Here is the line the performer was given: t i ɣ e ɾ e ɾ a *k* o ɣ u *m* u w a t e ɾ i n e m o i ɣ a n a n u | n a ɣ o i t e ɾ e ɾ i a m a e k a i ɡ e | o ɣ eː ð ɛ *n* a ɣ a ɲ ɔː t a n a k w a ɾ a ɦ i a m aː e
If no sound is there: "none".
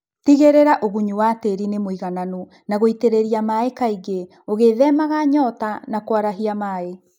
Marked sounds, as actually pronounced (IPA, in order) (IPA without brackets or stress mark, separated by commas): ʔ, ɲ, m